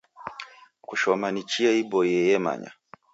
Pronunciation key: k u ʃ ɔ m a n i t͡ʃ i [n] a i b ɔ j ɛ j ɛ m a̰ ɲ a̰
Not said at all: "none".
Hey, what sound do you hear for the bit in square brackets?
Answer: none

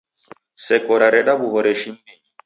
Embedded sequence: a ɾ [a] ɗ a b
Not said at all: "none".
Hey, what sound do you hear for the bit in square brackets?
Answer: ɛ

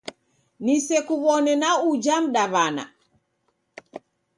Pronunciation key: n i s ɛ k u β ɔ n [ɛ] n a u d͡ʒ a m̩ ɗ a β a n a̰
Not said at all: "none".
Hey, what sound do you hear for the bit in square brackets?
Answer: ɛ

